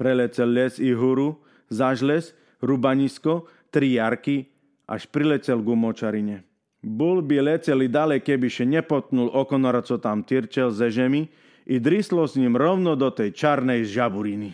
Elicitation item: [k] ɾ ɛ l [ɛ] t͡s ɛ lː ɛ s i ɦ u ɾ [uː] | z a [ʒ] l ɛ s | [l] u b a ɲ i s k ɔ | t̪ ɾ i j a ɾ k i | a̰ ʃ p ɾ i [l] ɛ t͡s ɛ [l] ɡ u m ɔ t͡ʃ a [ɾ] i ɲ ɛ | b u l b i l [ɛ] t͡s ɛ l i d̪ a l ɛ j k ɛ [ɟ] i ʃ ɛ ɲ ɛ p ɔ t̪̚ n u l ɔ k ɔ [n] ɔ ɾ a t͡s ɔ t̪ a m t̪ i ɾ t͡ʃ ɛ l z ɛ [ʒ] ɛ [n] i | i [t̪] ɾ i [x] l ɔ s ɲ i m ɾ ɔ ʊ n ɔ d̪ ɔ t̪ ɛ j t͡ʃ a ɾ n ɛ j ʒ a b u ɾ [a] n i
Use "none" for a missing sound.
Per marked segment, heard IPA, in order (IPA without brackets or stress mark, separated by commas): p, ɛ, u, ʒ, ɾ, l, l, ɾ, ɛ, b, n, ʒ, m, d̪, s, i